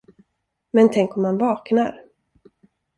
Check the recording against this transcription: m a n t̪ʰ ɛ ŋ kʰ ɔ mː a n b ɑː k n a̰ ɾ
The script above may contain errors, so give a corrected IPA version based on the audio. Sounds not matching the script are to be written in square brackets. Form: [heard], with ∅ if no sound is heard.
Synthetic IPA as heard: m [ɛ] n t̪ʰ ɛ ŋ [k] ɔ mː a n [v] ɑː k n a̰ ɾ